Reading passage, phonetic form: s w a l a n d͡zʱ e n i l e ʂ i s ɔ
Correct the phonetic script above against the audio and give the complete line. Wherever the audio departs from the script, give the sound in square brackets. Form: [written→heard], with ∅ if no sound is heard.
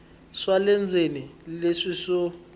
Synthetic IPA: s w a l [a→ɛ] n d͡zʱ e n i l e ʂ i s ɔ